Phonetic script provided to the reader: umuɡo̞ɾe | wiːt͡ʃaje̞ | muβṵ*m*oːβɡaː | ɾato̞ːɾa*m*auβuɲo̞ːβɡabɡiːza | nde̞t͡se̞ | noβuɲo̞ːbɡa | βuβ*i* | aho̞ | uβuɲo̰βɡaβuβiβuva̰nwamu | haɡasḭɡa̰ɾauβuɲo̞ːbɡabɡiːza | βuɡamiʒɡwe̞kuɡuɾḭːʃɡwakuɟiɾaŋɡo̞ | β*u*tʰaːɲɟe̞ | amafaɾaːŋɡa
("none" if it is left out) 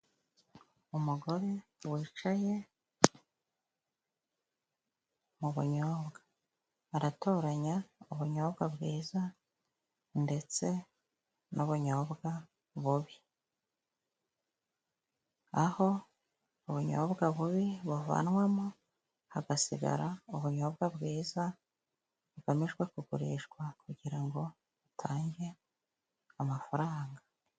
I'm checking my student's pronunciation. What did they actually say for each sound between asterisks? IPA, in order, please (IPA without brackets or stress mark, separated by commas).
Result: ɲ, ɲ, i, u